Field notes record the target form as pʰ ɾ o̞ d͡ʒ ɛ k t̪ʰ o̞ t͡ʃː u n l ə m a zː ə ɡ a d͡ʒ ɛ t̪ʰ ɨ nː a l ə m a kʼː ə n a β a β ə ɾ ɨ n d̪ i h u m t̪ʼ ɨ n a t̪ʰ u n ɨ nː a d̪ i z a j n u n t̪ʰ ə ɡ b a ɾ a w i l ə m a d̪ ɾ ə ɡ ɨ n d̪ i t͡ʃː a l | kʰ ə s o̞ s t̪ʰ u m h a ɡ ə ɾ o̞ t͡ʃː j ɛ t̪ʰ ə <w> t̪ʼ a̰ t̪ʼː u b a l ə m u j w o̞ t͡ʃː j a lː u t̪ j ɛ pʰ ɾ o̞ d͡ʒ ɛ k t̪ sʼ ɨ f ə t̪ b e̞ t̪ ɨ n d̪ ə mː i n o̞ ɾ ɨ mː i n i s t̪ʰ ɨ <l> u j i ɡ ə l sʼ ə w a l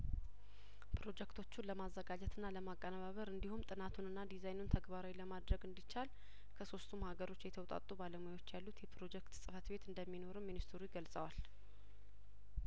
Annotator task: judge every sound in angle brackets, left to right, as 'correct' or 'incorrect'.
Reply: correct, incorrect

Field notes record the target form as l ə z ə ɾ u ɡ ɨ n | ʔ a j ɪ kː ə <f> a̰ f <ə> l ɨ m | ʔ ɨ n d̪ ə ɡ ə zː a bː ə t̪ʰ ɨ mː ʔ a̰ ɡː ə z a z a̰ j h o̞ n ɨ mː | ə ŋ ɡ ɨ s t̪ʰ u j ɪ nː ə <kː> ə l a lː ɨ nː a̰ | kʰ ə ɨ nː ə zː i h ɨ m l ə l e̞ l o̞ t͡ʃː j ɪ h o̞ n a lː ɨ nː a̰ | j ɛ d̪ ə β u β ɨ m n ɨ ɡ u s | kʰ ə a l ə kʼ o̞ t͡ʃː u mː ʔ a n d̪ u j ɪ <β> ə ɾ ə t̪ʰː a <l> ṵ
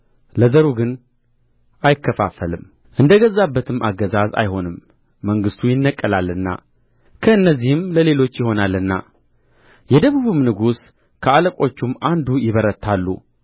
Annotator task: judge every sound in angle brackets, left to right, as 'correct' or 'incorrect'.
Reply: correct, correct, incorrect, correct, incorrect

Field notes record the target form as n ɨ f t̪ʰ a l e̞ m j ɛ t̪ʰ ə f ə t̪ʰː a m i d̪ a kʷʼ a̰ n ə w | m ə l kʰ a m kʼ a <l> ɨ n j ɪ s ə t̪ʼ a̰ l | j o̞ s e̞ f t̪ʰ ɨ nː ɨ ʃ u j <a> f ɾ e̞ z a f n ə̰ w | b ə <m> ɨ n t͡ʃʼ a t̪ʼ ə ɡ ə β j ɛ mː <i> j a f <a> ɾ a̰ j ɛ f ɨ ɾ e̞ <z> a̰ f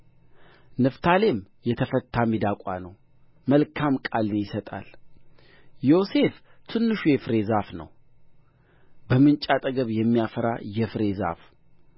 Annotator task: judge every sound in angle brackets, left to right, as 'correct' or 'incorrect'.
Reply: correct, incorrect, correct, correct, incorrect, correct

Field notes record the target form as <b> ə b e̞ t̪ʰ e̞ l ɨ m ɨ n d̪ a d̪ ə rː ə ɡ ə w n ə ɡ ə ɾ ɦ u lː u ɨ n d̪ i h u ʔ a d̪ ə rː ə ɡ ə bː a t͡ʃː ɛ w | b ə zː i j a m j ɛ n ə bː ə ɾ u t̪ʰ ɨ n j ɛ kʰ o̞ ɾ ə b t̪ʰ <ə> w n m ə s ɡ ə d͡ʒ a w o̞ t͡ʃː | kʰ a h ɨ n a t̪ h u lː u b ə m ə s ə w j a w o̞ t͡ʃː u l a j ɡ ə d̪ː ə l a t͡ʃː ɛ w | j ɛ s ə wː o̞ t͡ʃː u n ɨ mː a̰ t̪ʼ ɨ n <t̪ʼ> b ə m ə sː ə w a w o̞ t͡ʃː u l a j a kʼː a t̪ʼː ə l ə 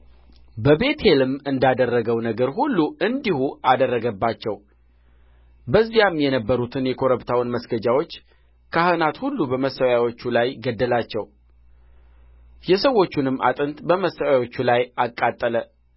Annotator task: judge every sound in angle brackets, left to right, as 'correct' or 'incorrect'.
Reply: correct, incorrect, incorrect

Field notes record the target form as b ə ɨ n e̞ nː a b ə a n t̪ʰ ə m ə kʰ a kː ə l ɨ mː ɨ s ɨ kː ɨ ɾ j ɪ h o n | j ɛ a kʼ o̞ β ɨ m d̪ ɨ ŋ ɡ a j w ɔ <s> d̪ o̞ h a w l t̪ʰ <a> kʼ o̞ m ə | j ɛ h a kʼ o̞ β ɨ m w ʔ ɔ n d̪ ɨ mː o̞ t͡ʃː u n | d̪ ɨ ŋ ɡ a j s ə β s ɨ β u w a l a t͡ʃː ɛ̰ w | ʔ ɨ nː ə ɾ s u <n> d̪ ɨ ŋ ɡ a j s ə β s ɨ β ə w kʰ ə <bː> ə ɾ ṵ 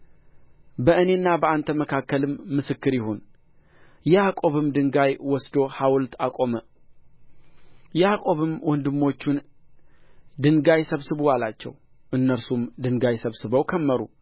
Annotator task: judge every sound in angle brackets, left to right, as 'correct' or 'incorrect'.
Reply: correct, correct, incorrect, incorrect

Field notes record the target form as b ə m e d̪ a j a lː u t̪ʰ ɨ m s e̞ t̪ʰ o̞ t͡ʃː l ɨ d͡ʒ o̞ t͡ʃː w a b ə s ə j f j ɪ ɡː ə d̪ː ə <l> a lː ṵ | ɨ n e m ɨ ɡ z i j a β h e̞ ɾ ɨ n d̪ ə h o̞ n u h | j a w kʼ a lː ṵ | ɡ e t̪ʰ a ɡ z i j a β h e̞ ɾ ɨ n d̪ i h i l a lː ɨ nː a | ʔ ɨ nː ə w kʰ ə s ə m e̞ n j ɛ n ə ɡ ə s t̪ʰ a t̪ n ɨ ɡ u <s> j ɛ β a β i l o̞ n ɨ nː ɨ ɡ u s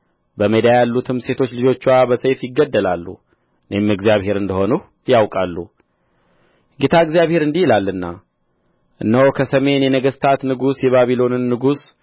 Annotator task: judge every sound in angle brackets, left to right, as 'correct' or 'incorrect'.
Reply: correct, correct

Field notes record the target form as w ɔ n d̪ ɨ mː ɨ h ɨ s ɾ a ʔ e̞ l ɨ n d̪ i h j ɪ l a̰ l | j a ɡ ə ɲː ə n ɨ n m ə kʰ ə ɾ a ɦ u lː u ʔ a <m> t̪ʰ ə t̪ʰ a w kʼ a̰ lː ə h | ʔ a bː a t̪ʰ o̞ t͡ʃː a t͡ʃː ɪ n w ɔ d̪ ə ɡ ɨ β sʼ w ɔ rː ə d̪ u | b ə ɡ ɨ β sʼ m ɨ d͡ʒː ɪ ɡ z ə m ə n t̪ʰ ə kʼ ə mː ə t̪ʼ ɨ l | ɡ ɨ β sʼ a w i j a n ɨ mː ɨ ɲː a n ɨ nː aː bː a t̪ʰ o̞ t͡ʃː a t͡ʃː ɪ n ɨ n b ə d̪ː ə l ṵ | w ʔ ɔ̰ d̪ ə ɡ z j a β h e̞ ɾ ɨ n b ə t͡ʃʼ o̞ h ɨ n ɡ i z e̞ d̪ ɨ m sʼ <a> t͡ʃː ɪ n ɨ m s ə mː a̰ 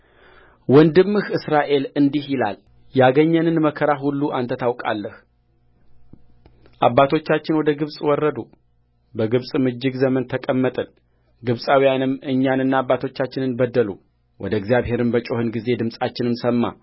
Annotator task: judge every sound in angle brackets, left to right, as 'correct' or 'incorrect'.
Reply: incorrect, correct

